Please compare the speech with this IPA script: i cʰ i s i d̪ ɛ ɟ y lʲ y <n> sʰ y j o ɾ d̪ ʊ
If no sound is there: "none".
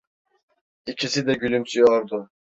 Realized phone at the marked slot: m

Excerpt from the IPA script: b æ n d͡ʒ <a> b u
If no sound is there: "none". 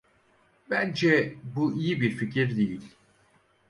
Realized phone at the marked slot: ɛ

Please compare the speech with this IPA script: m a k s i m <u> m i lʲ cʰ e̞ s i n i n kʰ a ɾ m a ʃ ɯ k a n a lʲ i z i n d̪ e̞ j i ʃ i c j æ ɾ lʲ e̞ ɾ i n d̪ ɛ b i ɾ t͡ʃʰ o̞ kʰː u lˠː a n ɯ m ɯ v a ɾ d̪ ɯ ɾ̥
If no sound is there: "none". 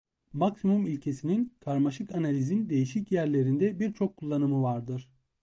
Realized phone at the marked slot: u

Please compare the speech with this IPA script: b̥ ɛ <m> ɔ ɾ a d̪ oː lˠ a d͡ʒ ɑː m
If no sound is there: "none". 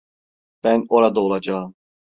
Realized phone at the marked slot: n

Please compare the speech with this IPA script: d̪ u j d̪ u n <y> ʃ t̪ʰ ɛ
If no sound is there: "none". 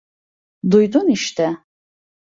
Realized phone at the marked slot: i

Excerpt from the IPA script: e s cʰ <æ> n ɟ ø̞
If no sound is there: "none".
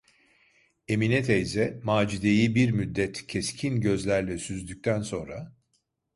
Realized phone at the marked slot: i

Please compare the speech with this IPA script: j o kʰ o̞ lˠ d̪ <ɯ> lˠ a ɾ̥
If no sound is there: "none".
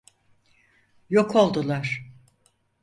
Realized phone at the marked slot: u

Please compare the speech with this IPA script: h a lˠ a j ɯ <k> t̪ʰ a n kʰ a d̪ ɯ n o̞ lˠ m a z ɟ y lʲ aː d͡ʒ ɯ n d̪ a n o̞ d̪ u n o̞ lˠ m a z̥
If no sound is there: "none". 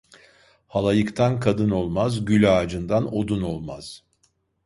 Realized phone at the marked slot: k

